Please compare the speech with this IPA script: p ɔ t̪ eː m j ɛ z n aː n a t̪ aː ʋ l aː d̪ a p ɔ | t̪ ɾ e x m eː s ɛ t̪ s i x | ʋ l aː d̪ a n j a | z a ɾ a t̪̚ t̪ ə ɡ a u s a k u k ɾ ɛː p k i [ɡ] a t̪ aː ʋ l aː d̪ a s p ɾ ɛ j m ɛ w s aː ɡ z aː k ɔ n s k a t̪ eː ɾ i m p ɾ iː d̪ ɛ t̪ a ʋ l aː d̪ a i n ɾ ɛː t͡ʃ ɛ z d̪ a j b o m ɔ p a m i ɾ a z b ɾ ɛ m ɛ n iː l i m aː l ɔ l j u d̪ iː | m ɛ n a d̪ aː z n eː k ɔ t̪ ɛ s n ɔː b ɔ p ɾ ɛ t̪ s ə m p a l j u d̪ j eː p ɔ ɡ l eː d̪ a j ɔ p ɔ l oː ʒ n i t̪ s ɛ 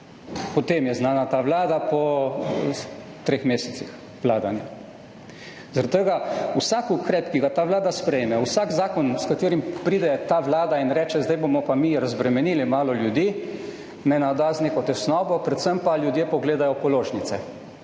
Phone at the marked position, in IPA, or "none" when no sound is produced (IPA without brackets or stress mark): ɡ